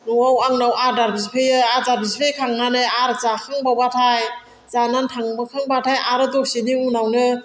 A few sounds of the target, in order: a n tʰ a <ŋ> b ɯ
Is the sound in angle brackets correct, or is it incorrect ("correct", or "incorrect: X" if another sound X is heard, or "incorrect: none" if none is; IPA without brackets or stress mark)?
correct